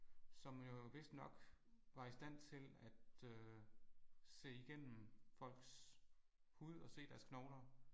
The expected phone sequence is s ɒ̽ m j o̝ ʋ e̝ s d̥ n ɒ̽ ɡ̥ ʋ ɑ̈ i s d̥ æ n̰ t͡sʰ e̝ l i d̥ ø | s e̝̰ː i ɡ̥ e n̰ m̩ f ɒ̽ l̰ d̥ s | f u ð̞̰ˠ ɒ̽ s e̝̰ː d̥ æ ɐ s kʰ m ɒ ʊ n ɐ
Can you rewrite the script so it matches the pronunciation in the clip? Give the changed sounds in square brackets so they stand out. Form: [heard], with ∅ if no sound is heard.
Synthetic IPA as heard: s ɒ̽ m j o̝ ʋ e̝ s d̥ n ɒ̽ ɡ̥ ʋ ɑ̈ i s d̥ æ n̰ t͡sʰ e̝ l [æ] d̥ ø | s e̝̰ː i ɡ̥ e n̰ m̩ f ɒ̽ l̰ [ɡ̥] s | [h] u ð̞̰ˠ ɒ̽ s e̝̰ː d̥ æ ɐ s kʰ [n] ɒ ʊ n ɐ